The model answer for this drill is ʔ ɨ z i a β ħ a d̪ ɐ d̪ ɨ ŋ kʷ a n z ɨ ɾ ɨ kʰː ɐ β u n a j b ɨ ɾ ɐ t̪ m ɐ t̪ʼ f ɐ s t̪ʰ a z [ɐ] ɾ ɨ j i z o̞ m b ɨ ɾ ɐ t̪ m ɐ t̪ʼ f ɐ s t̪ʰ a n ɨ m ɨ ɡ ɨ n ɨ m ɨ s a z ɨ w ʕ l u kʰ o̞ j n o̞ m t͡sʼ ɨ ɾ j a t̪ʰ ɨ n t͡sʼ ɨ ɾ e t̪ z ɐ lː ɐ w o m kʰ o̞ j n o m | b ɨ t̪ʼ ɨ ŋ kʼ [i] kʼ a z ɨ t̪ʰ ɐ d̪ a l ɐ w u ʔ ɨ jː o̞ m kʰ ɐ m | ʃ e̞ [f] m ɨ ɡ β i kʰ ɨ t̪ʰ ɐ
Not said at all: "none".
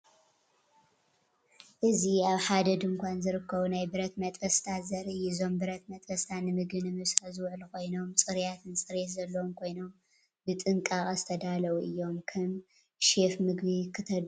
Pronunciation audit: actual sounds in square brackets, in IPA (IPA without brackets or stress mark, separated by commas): ɐ, a, f